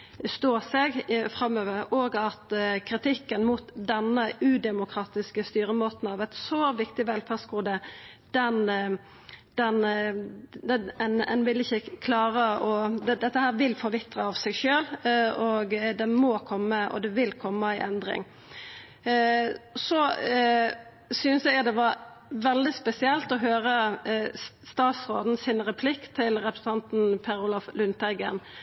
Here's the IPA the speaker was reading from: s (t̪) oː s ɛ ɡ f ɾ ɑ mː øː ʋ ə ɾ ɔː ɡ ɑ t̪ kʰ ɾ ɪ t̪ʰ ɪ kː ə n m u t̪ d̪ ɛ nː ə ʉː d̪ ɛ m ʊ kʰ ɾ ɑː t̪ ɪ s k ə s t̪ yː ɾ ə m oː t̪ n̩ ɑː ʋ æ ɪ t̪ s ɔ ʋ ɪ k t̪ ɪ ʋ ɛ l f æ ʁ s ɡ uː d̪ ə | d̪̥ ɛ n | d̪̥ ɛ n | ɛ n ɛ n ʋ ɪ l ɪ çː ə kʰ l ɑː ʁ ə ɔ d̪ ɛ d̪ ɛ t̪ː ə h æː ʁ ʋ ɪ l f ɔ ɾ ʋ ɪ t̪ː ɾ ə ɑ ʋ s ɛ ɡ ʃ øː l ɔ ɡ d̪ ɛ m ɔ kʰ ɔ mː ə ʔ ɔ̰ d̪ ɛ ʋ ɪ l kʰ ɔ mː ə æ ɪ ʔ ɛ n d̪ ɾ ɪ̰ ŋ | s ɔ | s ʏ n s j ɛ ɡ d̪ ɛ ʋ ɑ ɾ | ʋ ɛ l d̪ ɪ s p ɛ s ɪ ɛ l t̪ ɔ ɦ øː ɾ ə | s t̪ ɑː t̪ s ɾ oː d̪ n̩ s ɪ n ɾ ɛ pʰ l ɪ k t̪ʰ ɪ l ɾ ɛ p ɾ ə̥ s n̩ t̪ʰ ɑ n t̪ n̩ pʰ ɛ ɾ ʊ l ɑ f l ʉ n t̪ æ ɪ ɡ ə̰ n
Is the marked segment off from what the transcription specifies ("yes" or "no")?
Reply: no